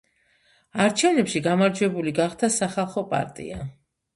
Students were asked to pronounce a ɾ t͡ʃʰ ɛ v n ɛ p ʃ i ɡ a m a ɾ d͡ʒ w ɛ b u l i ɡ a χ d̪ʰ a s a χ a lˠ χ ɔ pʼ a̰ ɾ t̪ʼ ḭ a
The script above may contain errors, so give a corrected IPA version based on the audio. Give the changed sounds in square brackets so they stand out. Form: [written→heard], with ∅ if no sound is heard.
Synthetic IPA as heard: a ɾ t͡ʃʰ ɛ v n ɛ p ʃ i ɡ a m a ɾ d͡ʒ w ɛ b u l i ɡ a χ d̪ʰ a s a χ a lˠ χ ɔ pʼ a̰ ɾ t̪ʼ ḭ a